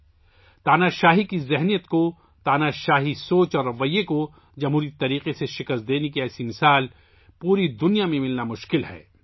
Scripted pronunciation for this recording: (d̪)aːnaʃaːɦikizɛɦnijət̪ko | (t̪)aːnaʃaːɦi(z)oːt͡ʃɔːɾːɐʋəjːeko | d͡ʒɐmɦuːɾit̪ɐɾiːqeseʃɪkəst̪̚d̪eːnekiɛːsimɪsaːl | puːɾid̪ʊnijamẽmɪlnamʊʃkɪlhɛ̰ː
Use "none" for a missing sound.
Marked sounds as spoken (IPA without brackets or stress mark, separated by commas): t̪, t̪, s